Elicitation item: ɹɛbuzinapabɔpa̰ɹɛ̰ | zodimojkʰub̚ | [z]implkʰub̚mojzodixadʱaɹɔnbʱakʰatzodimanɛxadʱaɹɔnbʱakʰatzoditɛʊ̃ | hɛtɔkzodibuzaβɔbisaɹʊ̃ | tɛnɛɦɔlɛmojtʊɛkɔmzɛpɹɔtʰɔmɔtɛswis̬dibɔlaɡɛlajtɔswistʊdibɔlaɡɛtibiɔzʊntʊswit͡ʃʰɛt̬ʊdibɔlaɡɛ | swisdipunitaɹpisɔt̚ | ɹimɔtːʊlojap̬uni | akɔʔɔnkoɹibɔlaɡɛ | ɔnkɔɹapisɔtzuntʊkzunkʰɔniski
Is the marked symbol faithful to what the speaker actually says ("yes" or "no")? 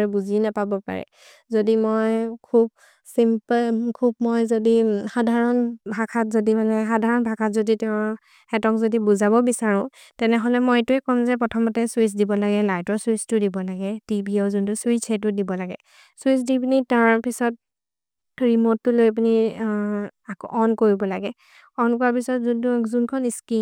no